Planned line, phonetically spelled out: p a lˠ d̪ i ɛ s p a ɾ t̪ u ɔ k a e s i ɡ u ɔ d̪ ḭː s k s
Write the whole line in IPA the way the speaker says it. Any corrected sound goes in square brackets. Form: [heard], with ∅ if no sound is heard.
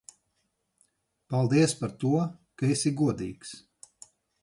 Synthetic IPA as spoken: p a lˠ d̪ i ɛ s p a ɾ t̪ u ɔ k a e s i ɡ u ɔ d̪ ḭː [∅] k s